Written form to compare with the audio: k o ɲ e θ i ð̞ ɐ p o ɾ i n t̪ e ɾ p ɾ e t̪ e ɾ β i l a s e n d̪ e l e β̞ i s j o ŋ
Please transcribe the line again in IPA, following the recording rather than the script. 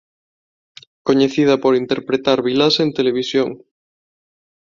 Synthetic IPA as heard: k o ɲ e θ i ð̞ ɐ p o ɾ i n t̪ e ɾ p ɾ e t̪ a ɾ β i l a s e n t̪ e l e β̞ i s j o ŋ